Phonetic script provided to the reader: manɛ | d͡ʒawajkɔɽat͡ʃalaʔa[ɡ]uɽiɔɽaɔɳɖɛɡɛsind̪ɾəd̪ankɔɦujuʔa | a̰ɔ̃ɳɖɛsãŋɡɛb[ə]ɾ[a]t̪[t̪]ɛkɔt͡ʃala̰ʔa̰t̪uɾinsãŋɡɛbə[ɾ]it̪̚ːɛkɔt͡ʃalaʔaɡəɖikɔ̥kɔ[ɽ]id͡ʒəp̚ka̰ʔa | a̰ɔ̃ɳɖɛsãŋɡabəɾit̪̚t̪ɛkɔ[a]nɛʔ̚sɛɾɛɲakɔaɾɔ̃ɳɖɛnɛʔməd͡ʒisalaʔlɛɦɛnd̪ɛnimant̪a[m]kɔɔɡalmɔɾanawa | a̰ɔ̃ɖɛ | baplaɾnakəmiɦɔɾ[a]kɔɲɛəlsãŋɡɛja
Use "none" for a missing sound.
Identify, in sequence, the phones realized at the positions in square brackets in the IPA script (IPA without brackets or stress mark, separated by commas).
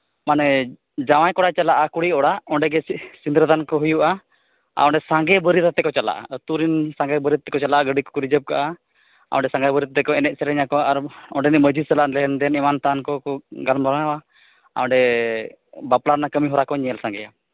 k, ə, i, t̪, ɾ, ɾ, ɛ, n, a